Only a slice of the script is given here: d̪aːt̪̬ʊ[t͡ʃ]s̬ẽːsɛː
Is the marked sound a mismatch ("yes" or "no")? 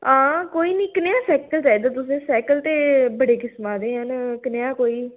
yes